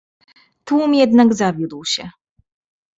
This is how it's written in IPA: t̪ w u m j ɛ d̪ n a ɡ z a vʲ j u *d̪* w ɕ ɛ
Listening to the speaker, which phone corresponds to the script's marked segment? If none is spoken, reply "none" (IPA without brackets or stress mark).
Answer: d̪